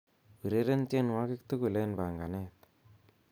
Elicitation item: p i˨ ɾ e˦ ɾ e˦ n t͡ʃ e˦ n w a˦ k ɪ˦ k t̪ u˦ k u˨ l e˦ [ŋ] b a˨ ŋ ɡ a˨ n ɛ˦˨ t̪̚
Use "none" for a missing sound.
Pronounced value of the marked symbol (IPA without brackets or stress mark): n